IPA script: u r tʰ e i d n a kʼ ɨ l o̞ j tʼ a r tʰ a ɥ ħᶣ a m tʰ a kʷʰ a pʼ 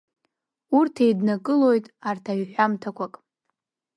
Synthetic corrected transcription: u r tʰ e j d n a kʼ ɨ l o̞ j tʼ a r tʰ a ɥ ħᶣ a m tʰ a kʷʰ a kʼ

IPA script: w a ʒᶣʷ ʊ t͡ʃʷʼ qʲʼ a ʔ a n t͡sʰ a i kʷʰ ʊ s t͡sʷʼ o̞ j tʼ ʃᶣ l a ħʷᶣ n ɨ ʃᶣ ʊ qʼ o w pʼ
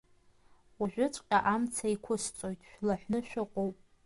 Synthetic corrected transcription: w a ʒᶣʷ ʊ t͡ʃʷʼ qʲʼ a ʔ a m t͡sʰ a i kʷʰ ʊ s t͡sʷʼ o̞ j tʼ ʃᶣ l a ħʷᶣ n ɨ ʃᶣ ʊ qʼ o w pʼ

